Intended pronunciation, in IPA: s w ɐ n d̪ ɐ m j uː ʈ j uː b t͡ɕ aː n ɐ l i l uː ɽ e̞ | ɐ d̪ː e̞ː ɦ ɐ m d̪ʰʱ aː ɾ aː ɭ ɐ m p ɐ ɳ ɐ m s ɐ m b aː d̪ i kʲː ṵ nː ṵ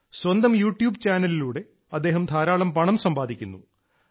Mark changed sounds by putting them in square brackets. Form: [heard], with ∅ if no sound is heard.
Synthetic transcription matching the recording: s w ɐ n d̪ ɐ m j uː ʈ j uː b t͡ɕ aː n ɐ l i l uː ɽ e̞ | ɐ d̪ː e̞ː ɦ ɐ m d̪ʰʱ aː ɾ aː ɭ ɐ m p ɐ ɳ ɐ m s ɐ m b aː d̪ i kʲː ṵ nː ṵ